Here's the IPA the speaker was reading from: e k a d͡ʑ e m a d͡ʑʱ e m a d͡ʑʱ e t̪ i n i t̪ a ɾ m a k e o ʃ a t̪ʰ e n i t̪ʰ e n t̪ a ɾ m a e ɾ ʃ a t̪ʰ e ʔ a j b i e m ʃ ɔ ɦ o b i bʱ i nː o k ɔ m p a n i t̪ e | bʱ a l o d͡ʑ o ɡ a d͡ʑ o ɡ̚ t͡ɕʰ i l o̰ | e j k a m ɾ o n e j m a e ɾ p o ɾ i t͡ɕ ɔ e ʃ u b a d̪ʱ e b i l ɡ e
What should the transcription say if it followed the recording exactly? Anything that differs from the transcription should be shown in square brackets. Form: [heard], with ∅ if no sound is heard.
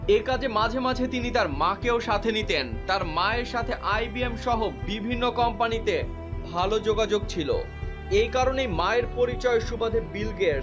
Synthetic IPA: e k a d͡ʑ e m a d͡ʑʱ e m a d͡ʑʱ e t̪ i n i t̪ a ɾ m a k e o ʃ a t̪ʰ e n i [t̪] e n t̪ a ɾ m a e ɾ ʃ a t̪ʰ e ʔ a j b i e m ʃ ɔ ɦ o b i bʱ i nː o k ɔ m p a n i t̪ e | bʱ a l o d͡ʑ o ɡ a d͡ʑ o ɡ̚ t͡ɕʰ i l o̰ | e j k a [∅] ɾ o n e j m a e ɾ p o ɾ i t͡ɕ ɔ e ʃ u b a d̪ʱ e b i l ɡ e